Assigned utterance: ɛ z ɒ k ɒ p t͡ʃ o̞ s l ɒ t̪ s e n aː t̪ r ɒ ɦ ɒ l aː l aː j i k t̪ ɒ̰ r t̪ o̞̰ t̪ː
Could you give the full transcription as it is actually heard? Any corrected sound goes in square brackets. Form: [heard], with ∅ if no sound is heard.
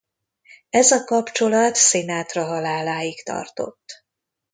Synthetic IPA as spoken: ɛ z ɒ k ɒ p t͡ʃ o̞ [∅] l ɒ t̪ s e n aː t̪ r ɒ ɦ ɒ l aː l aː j i k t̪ ɒ̰ r t̪ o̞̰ t̪ː